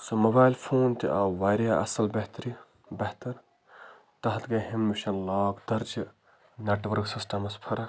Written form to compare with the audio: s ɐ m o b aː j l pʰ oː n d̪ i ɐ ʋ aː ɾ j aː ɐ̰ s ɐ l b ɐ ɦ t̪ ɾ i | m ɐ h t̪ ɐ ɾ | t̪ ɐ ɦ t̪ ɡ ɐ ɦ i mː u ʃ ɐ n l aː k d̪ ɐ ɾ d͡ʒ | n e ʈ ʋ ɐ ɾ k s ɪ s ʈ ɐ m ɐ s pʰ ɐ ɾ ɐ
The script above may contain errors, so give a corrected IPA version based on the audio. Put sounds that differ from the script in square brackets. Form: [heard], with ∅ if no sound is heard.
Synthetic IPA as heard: s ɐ m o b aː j l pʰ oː n [t̪] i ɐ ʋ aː ɾ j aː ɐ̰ s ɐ l b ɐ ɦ t̪ ɾ i | [b] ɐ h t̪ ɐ ɾ | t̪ ɐ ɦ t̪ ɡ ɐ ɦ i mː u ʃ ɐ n l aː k d̪ ɐ ɾ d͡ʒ | n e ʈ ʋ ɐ ɾ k s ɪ s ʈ ɐ m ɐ s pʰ ɐ ɾ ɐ